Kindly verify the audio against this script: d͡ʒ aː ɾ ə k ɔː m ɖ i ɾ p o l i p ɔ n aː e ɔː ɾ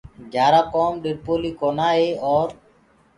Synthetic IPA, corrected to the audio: d͡ʒ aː ɾ a k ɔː m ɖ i ɾ p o l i k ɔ n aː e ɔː ɾ